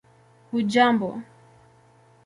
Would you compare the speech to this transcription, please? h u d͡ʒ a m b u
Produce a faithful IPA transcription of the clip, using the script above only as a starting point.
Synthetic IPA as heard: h u d͡ʒ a m b ɔ